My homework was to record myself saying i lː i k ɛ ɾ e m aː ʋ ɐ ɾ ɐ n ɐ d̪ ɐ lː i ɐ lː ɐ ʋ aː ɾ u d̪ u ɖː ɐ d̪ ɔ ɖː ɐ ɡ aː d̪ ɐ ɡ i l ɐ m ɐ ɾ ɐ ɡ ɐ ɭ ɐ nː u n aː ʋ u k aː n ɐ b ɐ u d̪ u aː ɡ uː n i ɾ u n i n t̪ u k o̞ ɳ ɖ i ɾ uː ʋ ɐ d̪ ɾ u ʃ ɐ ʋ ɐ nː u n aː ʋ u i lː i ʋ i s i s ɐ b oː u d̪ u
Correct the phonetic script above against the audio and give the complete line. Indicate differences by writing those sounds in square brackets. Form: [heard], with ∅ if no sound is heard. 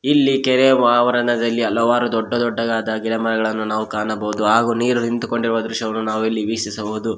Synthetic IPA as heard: i lː i k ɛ ɾ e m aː ʋ ɐ ɾ ɐ n ɐ d̪ ɐ lː i ɐ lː ɐ ʋ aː ɾ u d̪ [ɔ] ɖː ɐ d̪ ɔ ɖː ɐ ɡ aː d̪ ɐ ɡ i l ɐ m ɐ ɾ ɐ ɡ ɐ ɭ ɐ nː u n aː ʋ u k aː n ɐ b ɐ u d̪ u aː ɡ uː n [iː] ɾ u n i n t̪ u k o̞ ɳ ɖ i ɾ [u] ʋ ɐ d̪ ɾ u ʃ ɐ ʋ ɐ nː u n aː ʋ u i lː i ʋ i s i s ɐ b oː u d̪ u